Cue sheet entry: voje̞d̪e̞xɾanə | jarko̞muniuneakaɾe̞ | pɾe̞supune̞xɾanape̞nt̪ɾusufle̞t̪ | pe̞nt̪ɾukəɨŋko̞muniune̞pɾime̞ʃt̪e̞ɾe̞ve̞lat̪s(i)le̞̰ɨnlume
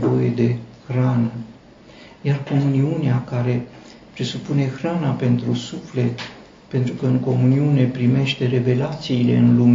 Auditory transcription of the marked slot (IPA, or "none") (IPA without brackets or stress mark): iː